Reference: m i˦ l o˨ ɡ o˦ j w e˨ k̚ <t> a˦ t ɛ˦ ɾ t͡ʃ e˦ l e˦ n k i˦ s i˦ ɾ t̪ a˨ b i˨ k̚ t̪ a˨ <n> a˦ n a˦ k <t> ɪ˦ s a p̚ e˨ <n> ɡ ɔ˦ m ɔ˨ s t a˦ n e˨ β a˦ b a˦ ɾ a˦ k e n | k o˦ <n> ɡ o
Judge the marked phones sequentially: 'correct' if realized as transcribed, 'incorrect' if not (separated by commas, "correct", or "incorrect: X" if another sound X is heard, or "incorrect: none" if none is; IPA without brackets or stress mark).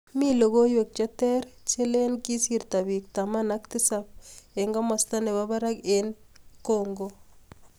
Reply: incorrect: t͡ʃ, incorrect: m, correct, incorrect: ŋ, incorrect: ŋ